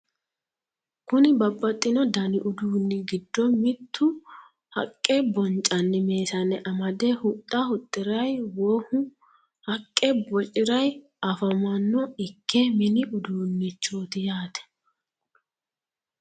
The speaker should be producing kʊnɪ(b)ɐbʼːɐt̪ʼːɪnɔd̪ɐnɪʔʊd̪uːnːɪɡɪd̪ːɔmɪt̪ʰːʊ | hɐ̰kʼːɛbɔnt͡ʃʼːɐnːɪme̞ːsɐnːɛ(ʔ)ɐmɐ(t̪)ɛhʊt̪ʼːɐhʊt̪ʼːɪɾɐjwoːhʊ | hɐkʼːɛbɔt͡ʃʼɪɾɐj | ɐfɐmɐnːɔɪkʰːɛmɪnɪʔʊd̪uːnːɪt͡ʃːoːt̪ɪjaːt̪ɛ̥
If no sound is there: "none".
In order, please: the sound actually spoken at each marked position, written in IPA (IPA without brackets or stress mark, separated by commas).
b, ʔ, d̪